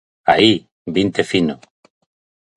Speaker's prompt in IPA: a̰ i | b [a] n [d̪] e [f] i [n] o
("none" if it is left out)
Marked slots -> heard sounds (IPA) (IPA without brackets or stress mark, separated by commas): i, t̪, f, n